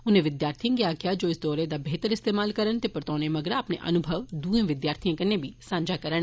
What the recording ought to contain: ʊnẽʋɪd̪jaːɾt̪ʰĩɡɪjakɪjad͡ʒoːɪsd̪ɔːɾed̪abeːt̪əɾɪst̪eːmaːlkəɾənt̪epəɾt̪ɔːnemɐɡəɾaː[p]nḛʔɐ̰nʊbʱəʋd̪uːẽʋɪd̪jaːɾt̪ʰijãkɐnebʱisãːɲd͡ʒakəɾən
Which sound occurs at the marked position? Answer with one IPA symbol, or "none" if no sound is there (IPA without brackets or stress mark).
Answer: p